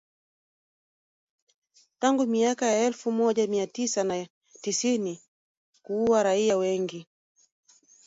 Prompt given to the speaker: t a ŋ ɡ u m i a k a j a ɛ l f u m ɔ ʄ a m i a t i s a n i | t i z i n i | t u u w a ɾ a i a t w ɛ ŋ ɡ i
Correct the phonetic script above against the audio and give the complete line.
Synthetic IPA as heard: t a ŋ ɡ u m i a k a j a ɛ l f u m ɔ ʄ a m i a t i s a n a | t i s i n i | k u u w a ɾ a i a w ɛ ŋ ɡ i

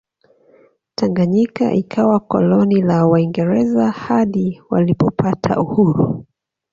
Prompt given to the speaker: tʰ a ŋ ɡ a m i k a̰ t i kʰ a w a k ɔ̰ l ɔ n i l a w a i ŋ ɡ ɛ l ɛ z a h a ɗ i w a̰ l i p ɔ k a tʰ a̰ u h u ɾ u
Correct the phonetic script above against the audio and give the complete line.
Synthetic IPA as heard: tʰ a ŋ ɡ a ɲ i k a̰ ʔ i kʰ a w a k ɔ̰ l ɔ n i l a w a i ŋ ɡ ɛ ɾ ɛ z a h a ɗ i w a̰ l i p ɔ p a tʰ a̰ u h u ɾ u

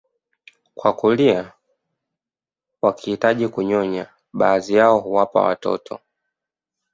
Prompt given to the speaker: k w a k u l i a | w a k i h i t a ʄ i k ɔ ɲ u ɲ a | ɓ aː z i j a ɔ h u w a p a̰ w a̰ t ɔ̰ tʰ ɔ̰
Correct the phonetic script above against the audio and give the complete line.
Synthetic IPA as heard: k w a k u l i a | w a k i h i t a ʄ i k u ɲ ɔ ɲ a | ɓ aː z i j a ɔ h u w a p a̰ w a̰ t ɔ̰ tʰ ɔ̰

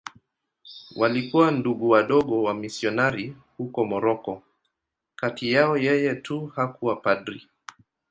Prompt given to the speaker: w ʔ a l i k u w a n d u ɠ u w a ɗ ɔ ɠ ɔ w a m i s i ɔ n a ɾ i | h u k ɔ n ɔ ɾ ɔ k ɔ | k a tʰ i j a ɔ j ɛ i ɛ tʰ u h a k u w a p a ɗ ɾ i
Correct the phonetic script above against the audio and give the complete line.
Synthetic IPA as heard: w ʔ a l i k u w a n d u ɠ u w a ɗ ɔ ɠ ɔ w a m i s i ɔ n a ɾ i | h u k ɔ m ɔ ɾ ɔ k ɔ | k a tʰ i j a ɔ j ɛ j ɛ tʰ u h a k u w a p a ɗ ɾ i

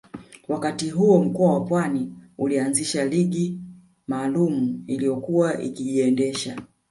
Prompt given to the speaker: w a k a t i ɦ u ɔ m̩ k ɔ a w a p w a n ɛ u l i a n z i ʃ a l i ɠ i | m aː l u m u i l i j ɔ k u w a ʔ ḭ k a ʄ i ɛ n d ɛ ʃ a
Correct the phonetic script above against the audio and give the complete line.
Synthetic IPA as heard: w a k a t i ɦ u ɔ m̩ k ɔ a w a p w a n i u l i a n z i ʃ a l i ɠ i | m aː l u m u i l i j ɔ k u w a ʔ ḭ k i ʄ i ɛ n d ɛ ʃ a

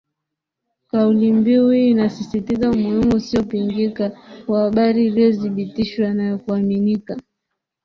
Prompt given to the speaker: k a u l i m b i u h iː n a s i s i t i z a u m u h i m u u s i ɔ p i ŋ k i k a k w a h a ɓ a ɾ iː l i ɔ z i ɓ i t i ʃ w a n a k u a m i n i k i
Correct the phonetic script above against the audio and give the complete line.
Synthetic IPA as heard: k a u l i m b i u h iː n a s i s i t i z a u m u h i m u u s i ɔ p i ŋ ɡ i k a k w a h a ɓ a ɾ iː l i ɔ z i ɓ i t i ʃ w a n a k u a m i n i k a

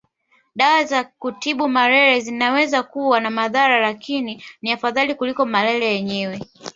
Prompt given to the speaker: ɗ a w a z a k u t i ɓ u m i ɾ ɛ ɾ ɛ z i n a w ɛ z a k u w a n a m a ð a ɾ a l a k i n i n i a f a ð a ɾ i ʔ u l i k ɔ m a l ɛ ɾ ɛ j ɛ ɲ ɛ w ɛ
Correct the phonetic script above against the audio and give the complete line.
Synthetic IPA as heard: ɗ a w a z a k u t i ɓ u m a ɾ ɛ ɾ ɛ z i n a w ɛ z a k u w a n a m a ð a ɾ a l a k i n i n i a f a ð a l i k u l i k ɔ m a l ɛ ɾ ɛ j ɛ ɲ ɛ w ɛ

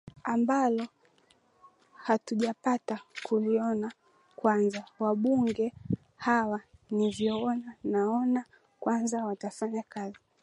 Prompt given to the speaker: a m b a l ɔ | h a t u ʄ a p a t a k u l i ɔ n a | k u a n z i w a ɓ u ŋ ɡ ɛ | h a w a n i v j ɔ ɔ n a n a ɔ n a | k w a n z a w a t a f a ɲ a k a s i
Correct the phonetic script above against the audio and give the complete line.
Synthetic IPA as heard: a m b a l ɔ | h a t u ʄ a p a t a k u l i ɔ n a | k w a n z a w a ɓ u ŋ ɡ ɛ | h a w a n i v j ɔ ɔ n a n a ɔ n a | k w a n z a w a t a f a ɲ a k a z i

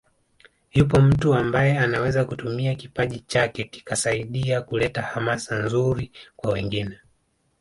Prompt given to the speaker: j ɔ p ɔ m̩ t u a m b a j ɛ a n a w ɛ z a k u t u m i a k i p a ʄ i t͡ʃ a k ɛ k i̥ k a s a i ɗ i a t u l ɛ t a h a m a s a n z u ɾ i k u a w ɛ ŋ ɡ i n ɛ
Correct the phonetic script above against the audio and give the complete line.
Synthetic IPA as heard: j u p ɔ m̩ t u a m b a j ɛ a n a w ɛ z a k u t u m i a k i p a ʄ i t͡ʃ a k ɛ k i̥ k a s a i ɗ i a k u l ɛ t a h a m a s a n z u ɾ i k w a w ɛ ŋ ɡ i n ɛ

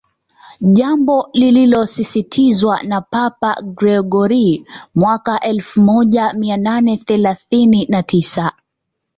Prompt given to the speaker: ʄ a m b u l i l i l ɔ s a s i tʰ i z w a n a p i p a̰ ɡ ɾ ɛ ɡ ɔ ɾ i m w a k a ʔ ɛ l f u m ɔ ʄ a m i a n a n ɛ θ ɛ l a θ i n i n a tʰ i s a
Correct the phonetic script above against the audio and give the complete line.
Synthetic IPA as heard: ʄ a m b ɔ l i l i l ɔ s i s i tʰ i z w a n a p a p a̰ ɡ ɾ ɛ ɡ ɔ ɾ i m w a k a ʔ ɛ l f u m ɔ ʄ a m i a n a n ɛ θ ɛ l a θ i n i n a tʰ i s a

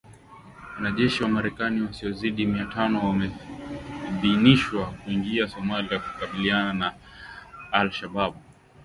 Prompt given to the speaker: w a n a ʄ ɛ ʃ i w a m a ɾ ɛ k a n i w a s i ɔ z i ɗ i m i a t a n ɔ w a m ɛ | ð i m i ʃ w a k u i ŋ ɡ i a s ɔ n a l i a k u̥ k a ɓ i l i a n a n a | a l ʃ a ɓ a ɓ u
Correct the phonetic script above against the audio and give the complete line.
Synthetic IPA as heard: w a n a ʄ ɛ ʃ i w a m a ɾ ɛ k a n i w a s i ɔ z i ɗ i m i a t a n ɔ w a m ɛ | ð i n i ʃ w a k u i ŋ ɡ i a s ɔ m a l i a k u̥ k a ɓ i l i a n a n a | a l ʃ a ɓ a ɓ u

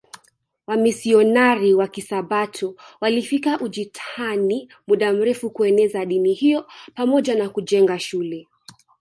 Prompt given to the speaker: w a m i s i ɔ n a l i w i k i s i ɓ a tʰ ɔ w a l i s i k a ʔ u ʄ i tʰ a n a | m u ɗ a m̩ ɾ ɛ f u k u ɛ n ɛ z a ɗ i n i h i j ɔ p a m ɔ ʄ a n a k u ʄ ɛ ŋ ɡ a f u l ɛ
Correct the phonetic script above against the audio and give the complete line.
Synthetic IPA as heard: w a m i s i ɔ n a ɾ i w a k i s a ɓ a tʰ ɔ w a l i f i k a ʔ u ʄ i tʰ a n i | m u ɗ a m̩ ɾ ɛ f u k u ɛ n ɛ z a ɗ i n i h i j ɔ p a m ɔ ʄ a n a k u ʄ ɛ ŋ ɡ a ʃ u l ɛ

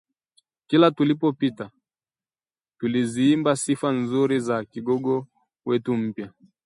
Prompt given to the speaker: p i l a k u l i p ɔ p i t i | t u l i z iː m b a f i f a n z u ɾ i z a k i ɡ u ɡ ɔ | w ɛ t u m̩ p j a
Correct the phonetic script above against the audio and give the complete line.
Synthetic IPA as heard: k i l a t u l i p ɔ p i t a | t u l i z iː m b a s i f a n z u ɾ i z a k i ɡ ɔ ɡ ɔ | w ɛ t u m̩ p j a

